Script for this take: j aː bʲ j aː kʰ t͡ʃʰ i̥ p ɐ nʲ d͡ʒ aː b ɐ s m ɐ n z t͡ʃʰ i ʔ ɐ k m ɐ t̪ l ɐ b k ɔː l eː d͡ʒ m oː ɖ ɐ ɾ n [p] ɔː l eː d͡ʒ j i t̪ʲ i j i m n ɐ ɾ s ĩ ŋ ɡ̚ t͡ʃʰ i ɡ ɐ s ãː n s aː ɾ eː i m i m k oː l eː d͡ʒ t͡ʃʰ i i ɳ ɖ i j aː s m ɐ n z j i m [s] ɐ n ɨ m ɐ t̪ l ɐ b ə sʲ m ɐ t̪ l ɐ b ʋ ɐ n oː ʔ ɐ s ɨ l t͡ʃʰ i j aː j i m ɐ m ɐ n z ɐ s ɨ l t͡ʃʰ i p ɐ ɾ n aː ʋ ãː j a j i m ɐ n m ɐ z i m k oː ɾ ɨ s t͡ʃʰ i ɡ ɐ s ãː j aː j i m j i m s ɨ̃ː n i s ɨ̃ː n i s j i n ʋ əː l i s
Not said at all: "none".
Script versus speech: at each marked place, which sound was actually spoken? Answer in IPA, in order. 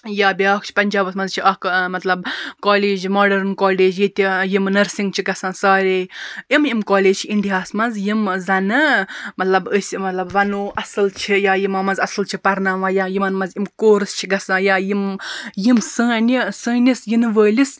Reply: k, z

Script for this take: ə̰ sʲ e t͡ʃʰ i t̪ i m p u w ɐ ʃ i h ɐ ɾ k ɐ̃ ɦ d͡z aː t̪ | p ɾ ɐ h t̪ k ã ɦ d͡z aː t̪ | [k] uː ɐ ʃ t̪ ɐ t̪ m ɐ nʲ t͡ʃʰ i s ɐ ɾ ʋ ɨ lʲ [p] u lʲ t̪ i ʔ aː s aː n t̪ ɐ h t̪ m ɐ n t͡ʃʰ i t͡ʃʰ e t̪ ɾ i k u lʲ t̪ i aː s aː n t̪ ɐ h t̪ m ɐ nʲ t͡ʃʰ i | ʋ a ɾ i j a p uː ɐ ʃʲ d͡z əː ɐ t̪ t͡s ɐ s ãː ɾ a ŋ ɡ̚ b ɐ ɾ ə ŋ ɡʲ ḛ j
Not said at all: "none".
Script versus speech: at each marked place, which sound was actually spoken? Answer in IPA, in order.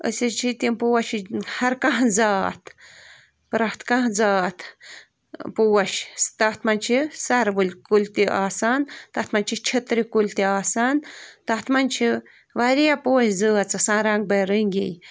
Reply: p, k

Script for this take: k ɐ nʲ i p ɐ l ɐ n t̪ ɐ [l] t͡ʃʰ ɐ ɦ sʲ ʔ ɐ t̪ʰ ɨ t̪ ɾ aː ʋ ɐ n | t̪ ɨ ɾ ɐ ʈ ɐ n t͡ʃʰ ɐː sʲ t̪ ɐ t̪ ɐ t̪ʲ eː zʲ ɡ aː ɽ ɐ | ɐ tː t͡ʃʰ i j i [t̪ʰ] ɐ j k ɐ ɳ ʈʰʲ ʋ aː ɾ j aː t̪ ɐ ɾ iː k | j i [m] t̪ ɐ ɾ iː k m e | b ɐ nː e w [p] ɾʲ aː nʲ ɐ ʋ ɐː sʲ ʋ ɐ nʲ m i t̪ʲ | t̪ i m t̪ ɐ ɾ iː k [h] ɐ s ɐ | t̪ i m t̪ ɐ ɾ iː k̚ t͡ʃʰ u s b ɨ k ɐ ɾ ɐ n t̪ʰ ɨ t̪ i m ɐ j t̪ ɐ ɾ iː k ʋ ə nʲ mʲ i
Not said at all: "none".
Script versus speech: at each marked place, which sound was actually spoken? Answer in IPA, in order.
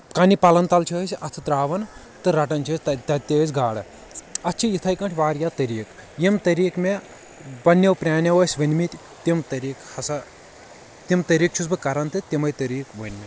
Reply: l, t̪ʰ, m, p, h

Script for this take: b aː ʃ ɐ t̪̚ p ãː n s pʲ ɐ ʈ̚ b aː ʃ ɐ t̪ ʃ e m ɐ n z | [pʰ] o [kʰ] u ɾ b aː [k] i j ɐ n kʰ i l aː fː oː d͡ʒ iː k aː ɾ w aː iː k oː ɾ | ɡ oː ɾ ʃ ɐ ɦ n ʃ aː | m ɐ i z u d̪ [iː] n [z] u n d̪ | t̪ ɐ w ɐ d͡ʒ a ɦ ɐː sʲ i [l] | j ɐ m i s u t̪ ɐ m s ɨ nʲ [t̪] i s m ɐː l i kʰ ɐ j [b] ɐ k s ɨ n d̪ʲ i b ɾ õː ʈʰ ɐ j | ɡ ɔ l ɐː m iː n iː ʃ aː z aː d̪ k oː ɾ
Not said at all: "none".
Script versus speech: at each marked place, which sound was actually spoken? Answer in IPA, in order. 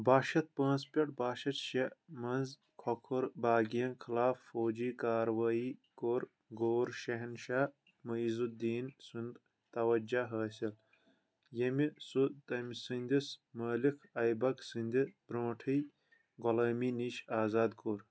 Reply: kʰ, kʰ, ɡ, iː, s, l, d̪, b

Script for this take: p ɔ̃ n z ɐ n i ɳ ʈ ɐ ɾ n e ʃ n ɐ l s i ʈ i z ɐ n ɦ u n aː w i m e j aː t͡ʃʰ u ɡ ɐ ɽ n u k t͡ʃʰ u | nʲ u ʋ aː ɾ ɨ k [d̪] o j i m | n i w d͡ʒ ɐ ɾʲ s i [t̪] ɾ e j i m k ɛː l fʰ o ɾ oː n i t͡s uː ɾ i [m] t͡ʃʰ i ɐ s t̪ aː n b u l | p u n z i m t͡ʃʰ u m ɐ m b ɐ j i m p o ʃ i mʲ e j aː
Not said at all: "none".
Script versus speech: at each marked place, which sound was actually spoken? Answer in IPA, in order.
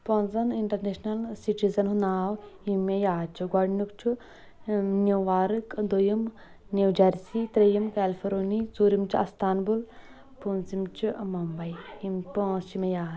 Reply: d̪, t̪, m

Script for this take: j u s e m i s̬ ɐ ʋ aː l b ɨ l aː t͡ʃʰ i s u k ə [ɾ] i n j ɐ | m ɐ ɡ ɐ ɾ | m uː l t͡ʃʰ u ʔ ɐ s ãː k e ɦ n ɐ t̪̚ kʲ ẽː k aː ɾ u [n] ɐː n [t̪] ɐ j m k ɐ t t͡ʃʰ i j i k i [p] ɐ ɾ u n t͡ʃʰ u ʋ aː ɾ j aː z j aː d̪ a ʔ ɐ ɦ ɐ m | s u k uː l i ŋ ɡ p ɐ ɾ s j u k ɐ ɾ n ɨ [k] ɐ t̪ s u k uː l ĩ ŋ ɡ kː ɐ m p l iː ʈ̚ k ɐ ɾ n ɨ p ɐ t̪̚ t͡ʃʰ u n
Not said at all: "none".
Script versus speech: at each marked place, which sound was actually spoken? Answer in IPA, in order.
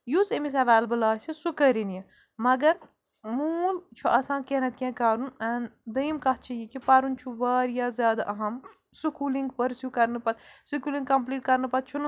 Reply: ɾ, n, d̪, p, p

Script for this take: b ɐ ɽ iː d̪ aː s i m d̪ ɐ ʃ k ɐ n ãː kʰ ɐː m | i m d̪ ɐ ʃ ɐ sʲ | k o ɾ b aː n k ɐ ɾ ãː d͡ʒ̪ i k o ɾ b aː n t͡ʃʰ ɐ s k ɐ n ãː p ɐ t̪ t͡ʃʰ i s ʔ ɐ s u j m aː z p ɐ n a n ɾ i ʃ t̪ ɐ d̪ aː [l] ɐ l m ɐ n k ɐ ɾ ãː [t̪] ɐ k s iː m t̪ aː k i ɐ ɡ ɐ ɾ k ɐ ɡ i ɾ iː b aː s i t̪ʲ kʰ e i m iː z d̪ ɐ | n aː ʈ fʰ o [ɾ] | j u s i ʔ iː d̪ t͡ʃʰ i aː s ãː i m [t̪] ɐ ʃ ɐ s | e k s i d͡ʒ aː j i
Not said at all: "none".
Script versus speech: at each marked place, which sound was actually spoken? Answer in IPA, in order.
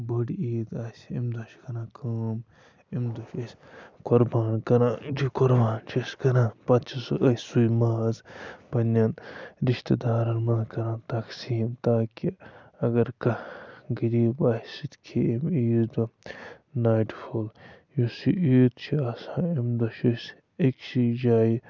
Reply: ɾ, t̪, l, d̪

